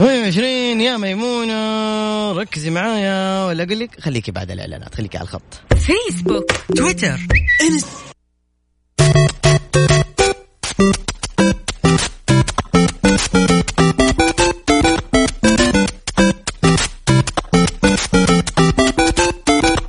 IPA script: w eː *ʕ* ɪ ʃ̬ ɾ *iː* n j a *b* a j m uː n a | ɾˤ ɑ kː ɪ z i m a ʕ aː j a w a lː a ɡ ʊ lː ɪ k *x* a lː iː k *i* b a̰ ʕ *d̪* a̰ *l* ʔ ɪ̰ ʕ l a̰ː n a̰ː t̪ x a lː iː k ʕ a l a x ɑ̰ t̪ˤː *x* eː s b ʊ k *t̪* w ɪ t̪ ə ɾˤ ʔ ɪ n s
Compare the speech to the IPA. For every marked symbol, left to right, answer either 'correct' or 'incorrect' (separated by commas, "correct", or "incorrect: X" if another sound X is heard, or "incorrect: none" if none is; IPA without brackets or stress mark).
correct, correct, incorrect: m, correct, correct, correct, correct, incorrect: f, correct